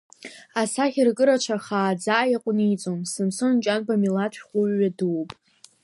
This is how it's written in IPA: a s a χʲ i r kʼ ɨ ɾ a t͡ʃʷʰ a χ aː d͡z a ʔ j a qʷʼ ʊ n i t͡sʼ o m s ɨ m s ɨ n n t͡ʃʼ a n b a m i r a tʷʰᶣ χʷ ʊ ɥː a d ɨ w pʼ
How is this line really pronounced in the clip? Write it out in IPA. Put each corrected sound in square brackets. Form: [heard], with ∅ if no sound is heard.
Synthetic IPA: a s a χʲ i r kʼ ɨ ɾ a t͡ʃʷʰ a χ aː d͡z a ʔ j a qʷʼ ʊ n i t͡sʼ o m s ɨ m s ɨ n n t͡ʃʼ a n b a m i [l] a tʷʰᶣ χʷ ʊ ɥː a d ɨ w pʼ